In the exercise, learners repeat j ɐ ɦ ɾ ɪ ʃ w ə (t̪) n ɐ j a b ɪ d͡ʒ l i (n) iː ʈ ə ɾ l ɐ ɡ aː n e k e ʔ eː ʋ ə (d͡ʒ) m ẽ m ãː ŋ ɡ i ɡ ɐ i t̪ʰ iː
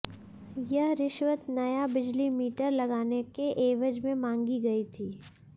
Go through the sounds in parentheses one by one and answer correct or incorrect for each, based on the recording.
correct, incorrect: m, correct

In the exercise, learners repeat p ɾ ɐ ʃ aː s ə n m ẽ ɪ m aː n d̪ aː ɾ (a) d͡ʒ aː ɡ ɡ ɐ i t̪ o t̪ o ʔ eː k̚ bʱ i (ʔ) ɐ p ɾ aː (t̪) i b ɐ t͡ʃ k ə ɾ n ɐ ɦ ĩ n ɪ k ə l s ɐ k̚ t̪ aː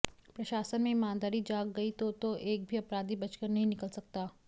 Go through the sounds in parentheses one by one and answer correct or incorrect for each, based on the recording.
incorrect: i, incorrect: none, incorrect: d̪

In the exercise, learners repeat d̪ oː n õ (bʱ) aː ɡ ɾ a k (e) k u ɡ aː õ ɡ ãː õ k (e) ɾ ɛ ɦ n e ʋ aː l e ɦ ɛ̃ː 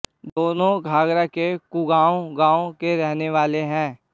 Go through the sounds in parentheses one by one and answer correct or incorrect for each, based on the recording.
incorrect: ɡʱ, correct, correct

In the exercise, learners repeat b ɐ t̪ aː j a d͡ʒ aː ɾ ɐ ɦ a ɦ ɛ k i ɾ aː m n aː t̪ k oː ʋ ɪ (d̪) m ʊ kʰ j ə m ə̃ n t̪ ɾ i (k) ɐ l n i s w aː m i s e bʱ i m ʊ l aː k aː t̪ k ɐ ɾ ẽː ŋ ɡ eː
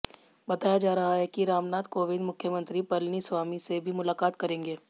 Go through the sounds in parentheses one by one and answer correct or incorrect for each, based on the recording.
correct, incorrect: p

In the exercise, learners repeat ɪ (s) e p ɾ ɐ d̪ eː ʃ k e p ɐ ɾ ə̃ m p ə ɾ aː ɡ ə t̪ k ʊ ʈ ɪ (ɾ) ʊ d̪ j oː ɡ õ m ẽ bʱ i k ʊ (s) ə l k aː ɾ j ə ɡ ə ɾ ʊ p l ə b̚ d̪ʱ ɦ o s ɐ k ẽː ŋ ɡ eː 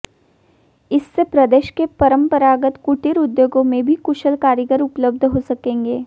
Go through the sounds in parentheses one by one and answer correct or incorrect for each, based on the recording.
incorrect: sː, correct, incorrect: ʃ

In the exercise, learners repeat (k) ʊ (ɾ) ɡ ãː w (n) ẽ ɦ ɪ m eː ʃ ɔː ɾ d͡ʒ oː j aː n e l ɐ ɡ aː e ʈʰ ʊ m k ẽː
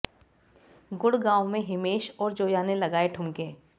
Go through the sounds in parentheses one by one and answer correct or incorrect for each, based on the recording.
incorrect: ɡ, incorrect: ɽ, incorrect: m

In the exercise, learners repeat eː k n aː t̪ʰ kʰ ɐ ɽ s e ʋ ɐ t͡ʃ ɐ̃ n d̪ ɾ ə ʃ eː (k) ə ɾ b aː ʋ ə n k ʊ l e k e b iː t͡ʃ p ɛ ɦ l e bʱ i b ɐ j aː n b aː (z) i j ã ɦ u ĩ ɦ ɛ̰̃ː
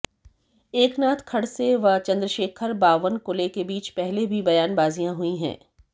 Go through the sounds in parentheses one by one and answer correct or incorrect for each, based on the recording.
incorrect: kʰ, correct

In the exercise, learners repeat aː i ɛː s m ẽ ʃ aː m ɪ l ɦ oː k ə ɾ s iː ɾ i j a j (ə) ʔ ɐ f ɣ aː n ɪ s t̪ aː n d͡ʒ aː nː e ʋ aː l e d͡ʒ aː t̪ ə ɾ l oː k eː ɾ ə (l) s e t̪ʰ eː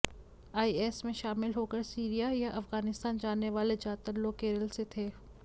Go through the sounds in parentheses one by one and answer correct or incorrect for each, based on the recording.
incorrect: a, correct

